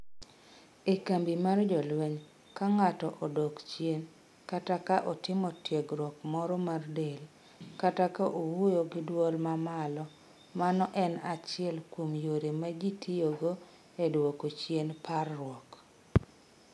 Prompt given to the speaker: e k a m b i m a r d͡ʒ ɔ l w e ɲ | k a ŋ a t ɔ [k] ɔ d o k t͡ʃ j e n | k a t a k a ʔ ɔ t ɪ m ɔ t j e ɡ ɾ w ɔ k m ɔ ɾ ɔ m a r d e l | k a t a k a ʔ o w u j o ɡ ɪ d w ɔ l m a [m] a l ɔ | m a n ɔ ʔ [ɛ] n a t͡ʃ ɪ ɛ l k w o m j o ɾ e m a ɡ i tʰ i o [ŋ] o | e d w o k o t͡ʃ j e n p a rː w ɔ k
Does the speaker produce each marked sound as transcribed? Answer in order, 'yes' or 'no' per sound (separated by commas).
no, yes, yes, no